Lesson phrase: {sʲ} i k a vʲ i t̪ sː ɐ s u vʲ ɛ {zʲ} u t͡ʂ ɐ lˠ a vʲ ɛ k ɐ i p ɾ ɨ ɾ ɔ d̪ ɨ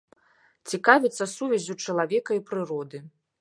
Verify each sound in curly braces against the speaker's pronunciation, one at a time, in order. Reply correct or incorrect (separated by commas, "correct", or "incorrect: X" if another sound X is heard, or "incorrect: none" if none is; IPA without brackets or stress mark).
incorrect: t͡sʲ, correct